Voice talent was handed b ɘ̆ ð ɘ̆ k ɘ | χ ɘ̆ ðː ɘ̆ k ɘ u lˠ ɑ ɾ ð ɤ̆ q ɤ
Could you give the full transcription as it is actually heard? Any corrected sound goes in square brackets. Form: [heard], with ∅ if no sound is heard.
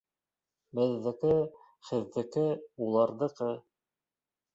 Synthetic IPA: b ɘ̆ [ðː] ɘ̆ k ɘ | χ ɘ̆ ðː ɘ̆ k ɘ u lˠ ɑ ɾ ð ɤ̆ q ɤ